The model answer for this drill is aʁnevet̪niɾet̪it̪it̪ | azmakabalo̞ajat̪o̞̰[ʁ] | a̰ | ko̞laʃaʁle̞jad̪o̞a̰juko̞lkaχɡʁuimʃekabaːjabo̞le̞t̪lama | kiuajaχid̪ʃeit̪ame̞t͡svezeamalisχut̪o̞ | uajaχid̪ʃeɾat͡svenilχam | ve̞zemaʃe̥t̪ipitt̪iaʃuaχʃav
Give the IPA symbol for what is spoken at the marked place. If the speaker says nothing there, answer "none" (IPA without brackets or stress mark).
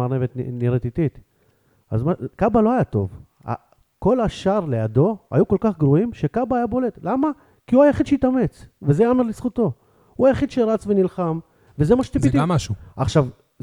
v